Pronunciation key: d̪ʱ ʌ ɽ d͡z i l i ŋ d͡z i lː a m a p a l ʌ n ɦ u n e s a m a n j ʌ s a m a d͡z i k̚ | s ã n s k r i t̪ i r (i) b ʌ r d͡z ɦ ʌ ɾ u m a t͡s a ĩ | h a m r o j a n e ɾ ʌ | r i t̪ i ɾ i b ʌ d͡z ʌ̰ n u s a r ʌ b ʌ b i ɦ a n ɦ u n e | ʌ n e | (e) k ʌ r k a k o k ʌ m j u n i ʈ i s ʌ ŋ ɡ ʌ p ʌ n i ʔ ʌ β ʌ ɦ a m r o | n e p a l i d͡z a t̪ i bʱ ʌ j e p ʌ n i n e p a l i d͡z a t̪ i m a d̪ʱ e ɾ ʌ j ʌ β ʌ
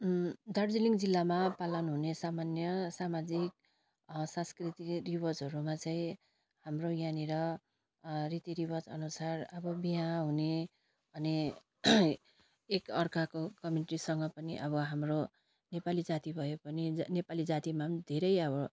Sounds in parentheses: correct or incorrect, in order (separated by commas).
correct, correct